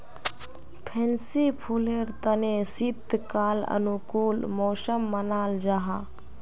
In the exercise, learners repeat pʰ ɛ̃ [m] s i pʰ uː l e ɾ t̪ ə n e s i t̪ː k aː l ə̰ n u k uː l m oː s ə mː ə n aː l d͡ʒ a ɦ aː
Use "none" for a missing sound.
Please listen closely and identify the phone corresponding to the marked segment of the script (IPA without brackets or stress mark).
n